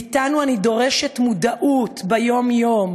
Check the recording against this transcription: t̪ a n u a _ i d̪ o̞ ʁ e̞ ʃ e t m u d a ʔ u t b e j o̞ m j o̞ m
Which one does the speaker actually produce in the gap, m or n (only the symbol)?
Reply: n